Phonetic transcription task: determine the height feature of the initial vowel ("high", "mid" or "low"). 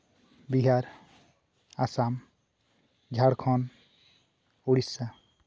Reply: high